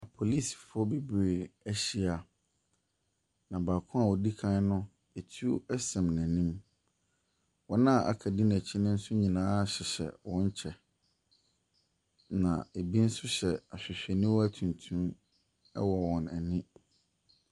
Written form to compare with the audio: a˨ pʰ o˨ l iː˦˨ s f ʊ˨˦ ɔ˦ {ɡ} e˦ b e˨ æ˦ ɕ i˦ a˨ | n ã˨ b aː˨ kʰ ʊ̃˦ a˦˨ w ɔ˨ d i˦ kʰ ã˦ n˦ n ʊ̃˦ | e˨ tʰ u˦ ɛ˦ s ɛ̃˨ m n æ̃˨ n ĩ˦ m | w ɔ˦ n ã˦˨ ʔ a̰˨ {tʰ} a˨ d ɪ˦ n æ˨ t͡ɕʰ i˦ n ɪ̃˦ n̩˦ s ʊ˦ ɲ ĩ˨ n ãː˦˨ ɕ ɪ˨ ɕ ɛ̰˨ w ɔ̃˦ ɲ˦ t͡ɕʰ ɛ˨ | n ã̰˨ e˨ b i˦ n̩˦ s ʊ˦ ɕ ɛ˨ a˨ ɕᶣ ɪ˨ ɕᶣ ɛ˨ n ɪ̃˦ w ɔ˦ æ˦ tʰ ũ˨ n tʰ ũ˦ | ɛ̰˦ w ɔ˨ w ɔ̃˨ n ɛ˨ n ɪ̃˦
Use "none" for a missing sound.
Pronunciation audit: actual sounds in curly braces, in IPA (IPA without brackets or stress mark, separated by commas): b, kʰ